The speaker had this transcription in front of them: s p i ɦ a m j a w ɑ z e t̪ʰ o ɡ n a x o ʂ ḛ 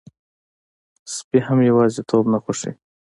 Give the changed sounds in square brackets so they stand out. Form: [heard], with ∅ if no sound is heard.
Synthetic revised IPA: s p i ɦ a m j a w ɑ z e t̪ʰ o [b] n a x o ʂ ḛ